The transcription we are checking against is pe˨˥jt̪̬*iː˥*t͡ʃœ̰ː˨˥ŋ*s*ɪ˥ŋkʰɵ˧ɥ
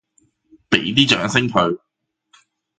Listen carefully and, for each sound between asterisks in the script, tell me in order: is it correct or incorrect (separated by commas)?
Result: correct, correct